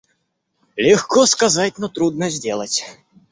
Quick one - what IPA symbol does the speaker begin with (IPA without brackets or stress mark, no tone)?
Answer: lʲ